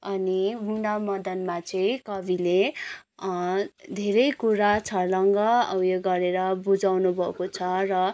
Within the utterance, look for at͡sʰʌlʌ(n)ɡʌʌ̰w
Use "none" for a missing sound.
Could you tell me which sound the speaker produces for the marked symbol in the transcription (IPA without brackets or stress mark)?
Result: ŋ